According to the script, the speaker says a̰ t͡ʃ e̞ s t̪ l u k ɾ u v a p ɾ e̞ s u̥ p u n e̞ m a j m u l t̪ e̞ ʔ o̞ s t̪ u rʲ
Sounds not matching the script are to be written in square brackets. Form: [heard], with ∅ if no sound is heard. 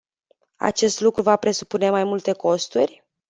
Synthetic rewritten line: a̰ t͡ʃ e̞ s t̪ l u k ɾ u v a p ɾ e̞ s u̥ p u n e̞ m a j m u l t̪ e̞ [k] o̞ s t̪ u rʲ

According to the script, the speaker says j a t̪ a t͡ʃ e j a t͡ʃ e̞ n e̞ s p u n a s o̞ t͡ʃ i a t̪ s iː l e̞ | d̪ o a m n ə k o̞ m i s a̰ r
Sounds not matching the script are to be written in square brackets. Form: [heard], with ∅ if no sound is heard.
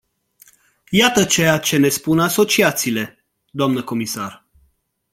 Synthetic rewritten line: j a t̪ [ə] t͡ʃ e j a t͡ʃ e̞ n e̞ s p u n a s o̞ t͡ʃ i a t̪ s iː l e̞ | d̪ o a m n ə k o̞ m i s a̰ r

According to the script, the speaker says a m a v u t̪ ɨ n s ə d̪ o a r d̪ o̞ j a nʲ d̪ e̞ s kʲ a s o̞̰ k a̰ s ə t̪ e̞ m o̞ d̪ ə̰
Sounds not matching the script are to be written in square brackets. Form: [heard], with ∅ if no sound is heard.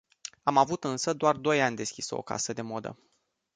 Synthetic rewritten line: a m a v u t̪ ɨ n s ə d̪ o a r d̪ o̞ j a nʲ d̪ e̞ s kʲ [i] s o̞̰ k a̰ s ə [d̪] e̞ m o̞ d̪ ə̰

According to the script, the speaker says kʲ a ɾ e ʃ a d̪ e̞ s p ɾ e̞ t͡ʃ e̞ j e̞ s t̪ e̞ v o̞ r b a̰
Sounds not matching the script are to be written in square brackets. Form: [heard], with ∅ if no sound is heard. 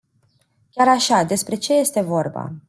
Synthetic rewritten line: kʲ a ɾ [a] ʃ a d̪ e̞ s p ɾ e̞ t͡ʃ e̞ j e̞ s t̪ e̞ v o̞ r b a̰

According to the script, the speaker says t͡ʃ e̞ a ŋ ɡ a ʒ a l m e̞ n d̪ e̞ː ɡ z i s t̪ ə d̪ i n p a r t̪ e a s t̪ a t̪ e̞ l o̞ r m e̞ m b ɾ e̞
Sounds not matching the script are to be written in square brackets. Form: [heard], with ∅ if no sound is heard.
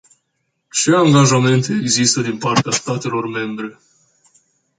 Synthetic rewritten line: t͡ʃ e̞ a ŋ ɡ a ʒ a [∅] m e̞ n [t̪] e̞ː ɡ z i s t̪ ə d̪ i n p a r t̪ e a s t̪ a t̪ e̞ l o̞ r m e̞ m b ɾ e̞

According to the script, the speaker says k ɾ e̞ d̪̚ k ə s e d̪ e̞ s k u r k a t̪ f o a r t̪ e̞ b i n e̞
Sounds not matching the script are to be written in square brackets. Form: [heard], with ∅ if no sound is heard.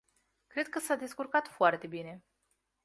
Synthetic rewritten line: k ɾ e̞ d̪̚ k ə s [a] d̪ e̞ s k u r k a t̪ f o a r t̪ e̞ b i n e̞

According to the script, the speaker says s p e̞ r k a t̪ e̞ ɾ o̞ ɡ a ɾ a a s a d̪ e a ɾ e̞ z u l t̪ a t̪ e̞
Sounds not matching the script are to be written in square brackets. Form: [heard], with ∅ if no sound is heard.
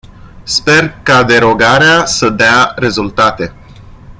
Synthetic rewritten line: s p e̞ r k a [d̪] e̞ ɾ o̞ ɡ a ɾ [e] a s [ə] d̪ e a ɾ e̞ z u l t̪ a t̪ e̞

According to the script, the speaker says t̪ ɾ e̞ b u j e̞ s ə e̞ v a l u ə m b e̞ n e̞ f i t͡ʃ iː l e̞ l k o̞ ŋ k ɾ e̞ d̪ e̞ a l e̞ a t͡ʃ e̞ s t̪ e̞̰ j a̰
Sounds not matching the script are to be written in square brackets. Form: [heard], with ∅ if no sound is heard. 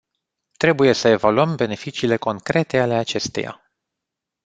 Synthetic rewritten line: t̪ ɾ e̞ b u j e̞ s ə e̞ v a l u ə m b e̞ n e̞ f i t͡ʃ iː l e̞ [∅] k o̞ ŋ k ɾ e̞ [t̪] e̞ a l e̞ a t͡ʃ e̞ s t̪ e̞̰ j a̰

